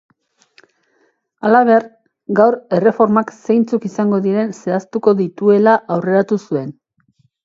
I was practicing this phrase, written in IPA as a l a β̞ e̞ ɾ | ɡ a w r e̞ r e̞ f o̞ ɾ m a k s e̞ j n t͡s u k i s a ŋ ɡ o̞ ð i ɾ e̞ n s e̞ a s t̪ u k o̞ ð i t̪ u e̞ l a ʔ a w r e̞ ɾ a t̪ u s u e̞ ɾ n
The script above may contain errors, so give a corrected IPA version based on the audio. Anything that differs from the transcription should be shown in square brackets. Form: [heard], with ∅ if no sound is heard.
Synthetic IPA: a l a β̞ e̞ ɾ | ɡ a w [ɾ] e̞ r e̞ f o̞ ɾ m a k s e̞ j n t͡s u k i s a ŋ ɡ o̞ ð i ɾ e̞ n s e̞ a s t̪ u k o̞ ð i t̪ u e̞ l a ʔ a w r e̞ ɾ a t̪ u s u e̞ [∅] n